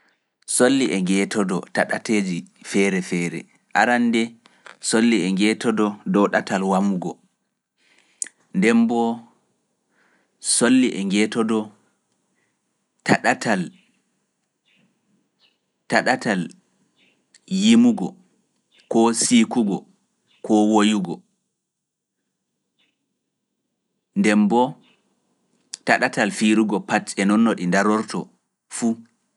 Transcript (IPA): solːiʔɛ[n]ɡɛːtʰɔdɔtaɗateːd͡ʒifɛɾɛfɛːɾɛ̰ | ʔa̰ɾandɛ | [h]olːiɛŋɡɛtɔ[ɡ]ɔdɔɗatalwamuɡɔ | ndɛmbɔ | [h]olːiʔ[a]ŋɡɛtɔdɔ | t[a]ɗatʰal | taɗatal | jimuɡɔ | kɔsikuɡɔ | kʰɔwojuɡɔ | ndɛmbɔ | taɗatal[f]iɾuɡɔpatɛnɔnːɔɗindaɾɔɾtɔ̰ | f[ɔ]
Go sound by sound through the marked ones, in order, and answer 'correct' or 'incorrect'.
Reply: incorrect, incorrect, incorrect, incorrect, incorrect, correct, correct, incorrect

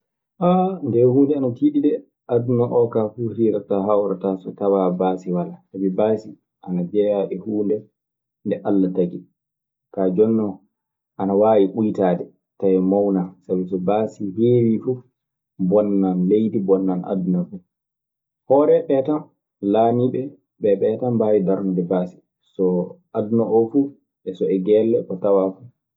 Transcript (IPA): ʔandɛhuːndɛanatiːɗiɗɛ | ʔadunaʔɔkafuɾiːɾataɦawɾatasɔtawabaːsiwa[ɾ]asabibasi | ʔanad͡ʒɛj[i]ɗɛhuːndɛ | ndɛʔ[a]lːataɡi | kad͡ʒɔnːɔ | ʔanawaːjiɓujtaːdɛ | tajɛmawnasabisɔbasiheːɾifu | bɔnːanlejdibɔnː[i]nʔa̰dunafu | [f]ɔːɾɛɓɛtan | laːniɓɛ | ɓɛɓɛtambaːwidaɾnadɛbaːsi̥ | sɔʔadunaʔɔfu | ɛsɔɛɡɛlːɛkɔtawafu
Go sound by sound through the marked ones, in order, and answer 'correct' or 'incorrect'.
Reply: incorrect, incorrect, correct, incorrect, incorrect

